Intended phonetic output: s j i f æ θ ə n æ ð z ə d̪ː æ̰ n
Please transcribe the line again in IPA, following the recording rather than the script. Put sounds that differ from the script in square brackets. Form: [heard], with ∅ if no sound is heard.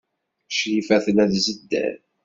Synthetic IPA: [ʃ] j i f æ θ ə n æ ð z ə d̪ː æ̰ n